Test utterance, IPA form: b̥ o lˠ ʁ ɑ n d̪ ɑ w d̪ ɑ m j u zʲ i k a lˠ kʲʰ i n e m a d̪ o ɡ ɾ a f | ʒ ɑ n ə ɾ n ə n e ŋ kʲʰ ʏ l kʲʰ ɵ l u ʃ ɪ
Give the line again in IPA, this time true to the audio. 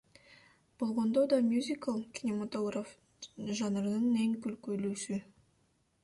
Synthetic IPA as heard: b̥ o lˠ ʁ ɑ n d̪ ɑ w d̪ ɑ m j u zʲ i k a lˠ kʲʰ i n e m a t̪ o ɡ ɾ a f | ʒ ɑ n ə ɾ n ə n e ŋ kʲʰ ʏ l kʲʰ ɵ l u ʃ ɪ